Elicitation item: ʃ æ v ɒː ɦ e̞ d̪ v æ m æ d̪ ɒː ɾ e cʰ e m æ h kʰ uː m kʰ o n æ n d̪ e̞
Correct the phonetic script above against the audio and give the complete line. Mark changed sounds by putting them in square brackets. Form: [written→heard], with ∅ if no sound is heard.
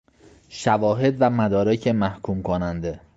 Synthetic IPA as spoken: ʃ æ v ɒː ɦ e̞ d̪ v æ m æ d̪ ɒː ɾ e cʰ e m æ h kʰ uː m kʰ o n æ n d̪ e̞